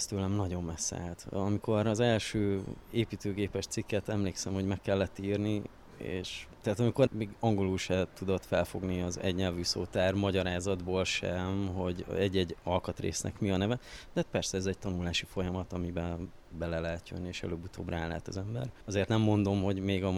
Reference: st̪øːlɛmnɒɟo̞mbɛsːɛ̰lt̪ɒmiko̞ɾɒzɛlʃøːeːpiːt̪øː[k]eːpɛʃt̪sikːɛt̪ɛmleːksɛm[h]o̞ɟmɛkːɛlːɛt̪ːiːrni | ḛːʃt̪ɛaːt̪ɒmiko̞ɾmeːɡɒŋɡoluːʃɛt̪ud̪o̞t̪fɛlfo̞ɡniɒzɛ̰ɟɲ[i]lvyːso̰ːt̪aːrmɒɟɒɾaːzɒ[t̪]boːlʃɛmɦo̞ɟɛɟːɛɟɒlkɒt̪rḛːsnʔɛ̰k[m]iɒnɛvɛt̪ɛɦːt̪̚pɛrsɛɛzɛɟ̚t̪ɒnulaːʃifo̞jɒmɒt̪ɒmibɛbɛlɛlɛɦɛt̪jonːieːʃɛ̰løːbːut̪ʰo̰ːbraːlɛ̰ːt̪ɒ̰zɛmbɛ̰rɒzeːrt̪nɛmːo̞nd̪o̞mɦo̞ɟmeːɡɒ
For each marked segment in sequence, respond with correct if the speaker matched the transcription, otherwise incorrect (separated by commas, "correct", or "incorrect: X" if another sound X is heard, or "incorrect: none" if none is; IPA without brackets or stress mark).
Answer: incorrect: ɡ, correct, incorrect: ɛ, incorrect: d̪, correct